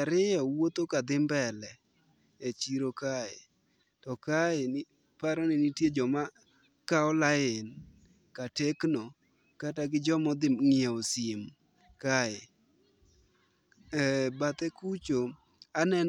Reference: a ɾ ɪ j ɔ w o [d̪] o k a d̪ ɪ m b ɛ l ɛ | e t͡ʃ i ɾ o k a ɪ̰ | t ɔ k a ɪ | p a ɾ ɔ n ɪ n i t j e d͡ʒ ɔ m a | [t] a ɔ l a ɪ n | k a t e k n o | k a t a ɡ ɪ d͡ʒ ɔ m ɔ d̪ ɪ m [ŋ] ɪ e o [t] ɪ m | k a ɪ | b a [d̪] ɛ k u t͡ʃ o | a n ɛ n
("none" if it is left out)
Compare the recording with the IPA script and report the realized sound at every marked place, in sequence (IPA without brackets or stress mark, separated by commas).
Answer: t̪, k, ŋ, s, t̪